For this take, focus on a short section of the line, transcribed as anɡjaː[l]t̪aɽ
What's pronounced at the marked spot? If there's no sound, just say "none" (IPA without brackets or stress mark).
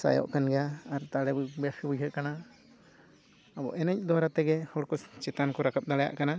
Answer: ɾ